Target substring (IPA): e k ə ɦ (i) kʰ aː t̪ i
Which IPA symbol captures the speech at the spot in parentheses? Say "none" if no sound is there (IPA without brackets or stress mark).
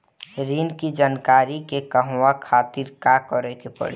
a